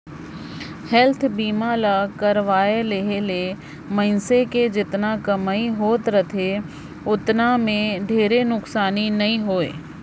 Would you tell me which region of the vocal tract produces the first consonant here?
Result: throat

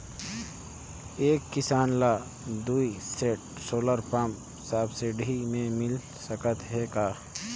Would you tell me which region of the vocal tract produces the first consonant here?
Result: velum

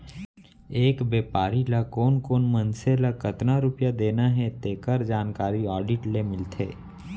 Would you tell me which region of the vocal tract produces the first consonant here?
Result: velum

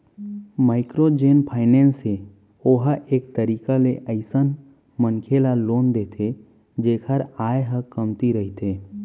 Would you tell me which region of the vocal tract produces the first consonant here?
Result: lips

